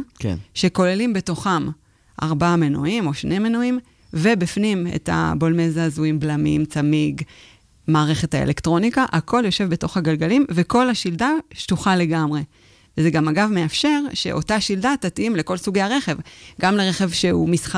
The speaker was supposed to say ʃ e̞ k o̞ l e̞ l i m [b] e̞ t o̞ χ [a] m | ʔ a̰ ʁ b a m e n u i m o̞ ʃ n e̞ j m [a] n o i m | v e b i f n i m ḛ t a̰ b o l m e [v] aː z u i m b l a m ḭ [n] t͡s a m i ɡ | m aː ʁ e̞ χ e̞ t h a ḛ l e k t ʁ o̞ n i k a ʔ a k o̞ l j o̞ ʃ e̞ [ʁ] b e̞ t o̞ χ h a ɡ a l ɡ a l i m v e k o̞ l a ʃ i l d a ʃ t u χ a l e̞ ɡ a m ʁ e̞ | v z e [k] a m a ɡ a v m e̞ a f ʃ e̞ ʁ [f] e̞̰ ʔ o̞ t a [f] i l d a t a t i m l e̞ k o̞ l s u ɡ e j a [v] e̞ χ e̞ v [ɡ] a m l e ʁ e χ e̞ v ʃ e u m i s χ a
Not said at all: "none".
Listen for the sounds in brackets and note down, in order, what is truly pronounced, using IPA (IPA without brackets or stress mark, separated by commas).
b, a, e, z, m, v, ɡ, ʃ, ʃ, ʁ, ɡ